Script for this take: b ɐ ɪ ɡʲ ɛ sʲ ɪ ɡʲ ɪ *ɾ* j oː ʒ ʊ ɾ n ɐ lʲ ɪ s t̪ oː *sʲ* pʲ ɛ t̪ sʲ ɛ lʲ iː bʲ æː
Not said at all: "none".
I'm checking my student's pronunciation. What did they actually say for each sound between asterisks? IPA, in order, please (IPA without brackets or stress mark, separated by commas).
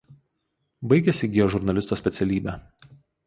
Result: none, sʲ